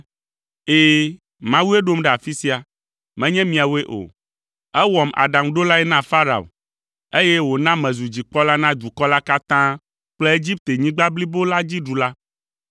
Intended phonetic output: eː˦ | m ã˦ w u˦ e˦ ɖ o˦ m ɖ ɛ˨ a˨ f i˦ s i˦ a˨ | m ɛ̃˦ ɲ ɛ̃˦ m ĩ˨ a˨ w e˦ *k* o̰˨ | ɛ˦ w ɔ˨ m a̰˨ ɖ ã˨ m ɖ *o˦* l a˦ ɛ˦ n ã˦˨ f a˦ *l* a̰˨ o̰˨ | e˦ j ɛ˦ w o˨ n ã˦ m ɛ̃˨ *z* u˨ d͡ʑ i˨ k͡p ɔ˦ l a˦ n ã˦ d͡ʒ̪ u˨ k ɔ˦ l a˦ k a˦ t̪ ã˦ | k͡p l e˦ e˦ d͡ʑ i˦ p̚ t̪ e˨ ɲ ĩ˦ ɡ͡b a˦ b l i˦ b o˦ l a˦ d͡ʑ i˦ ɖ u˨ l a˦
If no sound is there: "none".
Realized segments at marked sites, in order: ʔ, o˦, ɾ, z

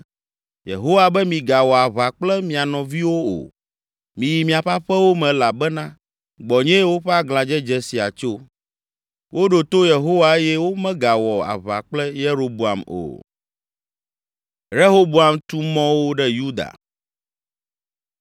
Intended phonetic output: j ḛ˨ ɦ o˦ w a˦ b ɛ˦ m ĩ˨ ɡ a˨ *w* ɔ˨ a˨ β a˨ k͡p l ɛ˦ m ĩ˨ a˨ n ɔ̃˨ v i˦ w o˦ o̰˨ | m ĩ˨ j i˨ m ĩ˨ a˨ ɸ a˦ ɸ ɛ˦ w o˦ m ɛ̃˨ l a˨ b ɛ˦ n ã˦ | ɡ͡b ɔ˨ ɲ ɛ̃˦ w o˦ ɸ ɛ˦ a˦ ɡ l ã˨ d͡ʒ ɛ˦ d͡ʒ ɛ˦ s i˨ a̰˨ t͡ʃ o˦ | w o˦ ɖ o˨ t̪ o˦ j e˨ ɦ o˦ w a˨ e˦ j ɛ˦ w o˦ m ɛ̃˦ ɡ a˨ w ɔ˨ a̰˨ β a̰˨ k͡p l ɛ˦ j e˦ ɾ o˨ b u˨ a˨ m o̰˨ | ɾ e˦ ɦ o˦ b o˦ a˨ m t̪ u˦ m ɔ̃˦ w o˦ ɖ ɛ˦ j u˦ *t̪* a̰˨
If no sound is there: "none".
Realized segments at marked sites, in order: w, d̪

